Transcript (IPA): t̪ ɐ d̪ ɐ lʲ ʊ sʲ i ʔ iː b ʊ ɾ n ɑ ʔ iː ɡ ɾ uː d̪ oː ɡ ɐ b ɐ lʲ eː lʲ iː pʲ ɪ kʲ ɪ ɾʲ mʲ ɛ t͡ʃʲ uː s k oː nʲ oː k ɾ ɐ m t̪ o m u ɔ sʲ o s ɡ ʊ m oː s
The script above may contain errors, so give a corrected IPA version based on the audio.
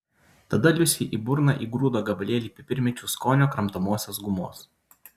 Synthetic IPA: t̪ ɐ d̪ ɐ lʲ ʊ sʲ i ʔ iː b ʊ ɾ n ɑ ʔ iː ɡ ɾ uː d̪ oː ɡ ɐ b ɐ lʲ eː lʲ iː pʲ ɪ pʲ ɪ ɾʲ mʲ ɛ t͡ʃʲ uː s k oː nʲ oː k ɾ ɐ m t̪ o m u ɔ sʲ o s ɡ ʊ m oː s